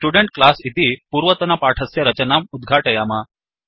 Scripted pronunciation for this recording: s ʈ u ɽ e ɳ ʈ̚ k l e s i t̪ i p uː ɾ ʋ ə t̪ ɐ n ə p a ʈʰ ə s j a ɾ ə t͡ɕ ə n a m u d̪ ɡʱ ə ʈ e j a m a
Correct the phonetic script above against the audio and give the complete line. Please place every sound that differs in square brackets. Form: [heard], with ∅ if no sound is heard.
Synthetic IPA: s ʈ u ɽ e ɳ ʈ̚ k l [a] s i t̪ i p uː ɾ ʋ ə t̪ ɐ n [a] p a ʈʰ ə s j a ɾ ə t͡ɕ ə n a m u d̪ ɡʱ [a] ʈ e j a m a